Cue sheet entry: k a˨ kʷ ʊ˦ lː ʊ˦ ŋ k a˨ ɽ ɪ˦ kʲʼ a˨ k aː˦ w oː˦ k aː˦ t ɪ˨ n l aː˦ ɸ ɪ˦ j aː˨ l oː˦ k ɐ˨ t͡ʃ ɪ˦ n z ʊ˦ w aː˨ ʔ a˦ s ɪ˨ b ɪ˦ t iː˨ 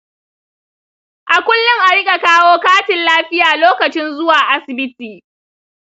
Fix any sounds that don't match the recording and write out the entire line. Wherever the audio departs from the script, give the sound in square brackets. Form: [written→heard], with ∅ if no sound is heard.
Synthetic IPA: [k→ʔ] a˨ kʷ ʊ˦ lː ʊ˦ ŋ [k→ʔ] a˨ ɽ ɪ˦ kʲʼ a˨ k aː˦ w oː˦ k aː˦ t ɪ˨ n l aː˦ ɸ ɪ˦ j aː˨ l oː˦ k ɐ˨ t͡ʃ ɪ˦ n z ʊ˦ w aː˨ ʔ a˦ s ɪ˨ b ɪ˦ t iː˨